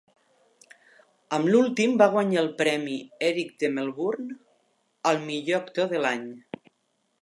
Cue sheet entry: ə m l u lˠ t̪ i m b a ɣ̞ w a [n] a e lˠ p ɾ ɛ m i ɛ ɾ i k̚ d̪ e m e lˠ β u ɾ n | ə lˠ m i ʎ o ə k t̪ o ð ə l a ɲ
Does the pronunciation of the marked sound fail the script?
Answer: yes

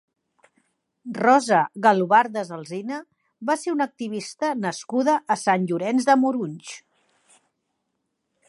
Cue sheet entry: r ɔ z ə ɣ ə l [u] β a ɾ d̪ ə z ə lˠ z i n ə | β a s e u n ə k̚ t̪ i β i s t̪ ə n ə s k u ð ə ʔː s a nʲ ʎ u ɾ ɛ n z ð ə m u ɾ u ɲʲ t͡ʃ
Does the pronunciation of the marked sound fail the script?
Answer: no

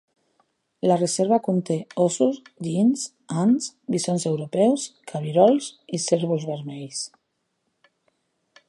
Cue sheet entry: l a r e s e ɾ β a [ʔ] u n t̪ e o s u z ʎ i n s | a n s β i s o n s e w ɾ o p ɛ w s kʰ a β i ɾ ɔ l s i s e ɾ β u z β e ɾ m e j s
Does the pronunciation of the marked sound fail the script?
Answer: yes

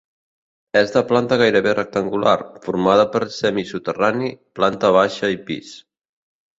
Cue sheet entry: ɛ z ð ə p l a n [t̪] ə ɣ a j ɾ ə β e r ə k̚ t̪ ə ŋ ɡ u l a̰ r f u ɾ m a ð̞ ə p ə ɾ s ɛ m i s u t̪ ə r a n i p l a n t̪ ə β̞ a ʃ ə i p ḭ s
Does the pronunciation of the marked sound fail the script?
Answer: no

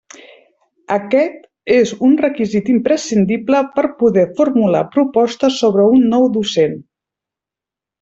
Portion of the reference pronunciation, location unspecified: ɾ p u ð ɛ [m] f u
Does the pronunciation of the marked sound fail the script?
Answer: yes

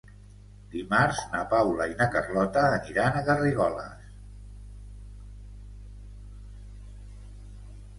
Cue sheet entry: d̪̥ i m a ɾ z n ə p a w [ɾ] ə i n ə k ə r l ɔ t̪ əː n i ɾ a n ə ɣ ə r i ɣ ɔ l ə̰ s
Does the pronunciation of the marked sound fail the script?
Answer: yes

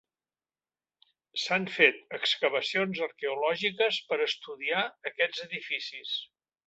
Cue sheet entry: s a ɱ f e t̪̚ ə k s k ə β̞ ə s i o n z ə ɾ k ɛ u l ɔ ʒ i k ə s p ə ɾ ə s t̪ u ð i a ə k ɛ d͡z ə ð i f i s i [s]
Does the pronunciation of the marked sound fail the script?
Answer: no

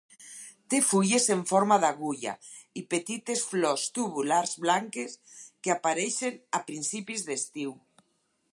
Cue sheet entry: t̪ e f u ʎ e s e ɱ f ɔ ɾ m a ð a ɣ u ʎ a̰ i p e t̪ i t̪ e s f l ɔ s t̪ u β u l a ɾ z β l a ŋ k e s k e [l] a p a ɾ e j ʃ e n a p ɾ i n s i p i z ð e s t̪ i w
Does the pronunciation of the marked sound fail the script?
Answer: yes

